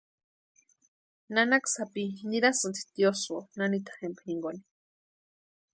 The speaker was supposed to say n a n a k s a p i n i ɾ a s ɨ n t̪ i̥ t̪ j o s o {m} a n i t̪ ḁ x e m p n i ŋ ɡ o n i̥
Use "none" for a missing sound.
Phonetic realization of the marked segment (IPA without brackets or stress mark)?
n